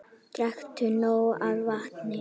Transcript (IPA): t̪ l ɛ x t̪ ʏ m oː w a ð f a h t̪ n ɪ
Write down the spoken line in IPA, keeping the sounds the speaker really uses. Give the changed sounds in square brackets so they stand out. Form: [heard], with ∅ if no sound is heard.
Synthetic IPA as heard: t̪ [ɾ] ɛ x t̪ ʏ [n] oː w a ð [v] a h t̪ n ɪ